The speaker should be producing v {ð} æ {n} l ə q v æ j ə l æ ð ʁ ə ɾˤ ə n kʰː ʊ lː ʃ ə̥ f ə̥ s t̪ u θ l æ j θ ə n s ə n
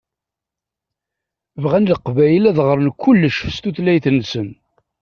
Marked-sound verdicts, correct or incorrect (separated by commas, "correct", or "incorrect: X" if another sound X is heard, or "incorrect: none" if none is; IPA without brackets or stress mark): incorrect: ʁ, correct